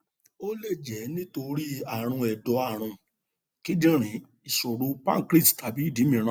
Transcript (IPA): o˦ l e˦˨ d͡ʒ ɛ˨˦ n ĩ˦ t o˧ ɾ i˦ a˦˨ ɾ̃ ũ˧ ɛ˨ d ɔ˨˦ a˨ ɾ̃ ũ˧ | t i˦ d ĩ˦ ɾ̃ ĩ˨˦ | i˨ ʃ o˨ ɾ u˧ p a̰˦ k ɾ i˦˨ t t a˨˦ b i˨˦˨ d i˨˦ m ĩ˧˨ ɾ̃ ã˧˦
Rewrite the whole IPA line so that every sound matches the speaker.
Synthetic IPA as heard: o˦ l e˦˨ d͡ʒ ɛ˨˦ n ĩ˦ t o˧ ɾ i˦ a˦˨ ɾ̃ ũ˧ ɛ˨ d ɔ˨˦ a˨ ɾ̃ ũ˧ | k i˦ d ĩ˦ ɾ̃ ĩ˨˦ | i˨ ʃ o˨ ɾ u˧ p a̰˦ k ɾ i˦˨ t t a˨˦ b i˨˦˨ d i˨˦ m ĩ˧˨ ɾ̃ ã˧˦